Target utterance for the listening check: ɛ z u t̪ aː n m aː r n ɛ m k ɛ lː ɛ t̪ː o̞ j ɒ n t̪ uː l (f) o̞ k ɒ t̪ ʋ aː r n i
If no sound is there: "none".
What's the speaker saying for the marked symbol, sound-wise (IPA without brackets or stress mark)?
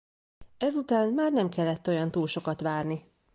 ʃ